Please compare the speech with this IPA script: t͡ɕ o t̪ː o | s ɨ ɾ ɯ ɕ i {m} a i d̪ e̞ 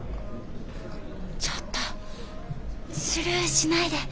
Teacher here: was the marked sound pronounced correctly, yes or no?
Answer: no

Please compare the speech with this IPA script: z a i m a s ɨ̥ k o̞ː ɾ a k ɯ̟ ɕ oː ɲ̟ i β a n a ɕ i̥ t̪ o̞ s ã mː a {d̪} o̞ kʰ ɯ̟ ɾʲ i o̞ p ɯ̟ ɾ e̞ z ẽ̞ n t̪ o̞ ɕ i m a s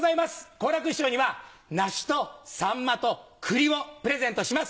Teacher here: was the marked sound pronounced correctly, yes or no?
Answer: no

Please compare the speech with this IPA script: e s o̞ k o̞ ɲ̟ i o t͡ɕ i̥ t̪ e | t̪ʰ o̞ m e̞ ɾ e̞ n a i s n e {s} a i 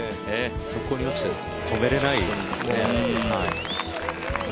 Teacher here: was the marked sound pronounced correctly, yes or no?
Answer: no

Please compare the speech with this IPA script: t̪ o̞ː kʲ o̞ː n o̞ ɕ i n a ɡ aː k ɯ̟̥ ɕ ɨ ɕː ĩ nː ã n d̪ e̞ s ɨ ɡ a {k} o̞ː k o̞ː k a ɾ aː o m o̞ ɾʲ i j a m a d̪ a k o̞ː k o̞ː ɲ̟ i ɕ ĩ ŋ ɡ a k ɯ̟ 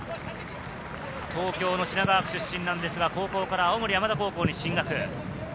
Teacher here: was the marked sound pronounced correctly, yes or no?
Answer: yes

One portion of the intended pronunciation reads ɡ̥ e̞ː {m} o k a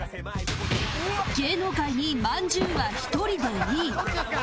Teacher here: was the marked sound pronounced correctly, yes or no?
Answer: no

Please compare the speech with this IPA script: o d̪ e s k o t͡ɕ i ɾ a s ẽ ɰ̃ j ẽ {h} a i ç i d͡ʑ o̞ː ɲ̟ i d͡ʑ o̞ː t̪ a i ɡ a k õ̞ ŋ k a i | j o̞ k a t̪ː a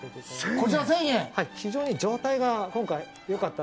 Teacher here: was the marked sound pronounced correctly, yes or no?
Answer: yes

